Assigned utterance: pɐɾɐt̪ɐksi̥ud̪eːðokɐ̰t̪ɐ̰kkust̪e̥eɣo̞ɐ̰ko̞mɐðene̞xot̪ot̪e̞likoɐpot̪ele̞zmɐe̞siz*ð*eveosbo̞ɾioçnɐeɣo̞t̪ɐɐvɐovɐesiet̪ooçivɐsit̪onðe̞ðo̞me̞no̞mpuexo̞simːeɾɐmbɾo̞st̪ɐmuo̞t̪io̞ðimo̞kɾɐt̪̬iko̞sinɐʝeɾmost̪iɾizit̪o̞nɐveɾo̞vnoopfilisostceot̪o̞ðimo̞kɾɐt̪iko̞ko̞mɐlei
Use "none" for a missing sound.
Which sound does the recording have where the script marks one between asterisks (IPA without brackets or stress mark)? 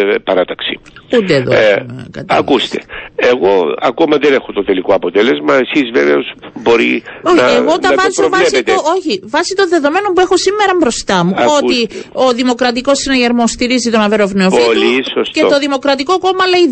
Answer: v